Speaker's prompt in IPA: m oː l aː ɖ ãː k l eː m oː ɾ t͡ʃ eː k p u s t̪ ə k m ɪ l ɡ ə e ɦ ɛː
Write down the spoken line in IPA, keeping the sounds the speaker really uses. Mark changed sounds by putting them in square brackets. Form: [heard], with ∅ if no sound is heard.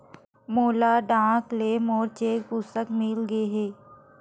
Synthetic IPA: m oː l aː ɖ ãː k l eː m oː ɾ t͡ʃ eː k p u s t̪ ə k m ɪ l ɡ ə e ɦ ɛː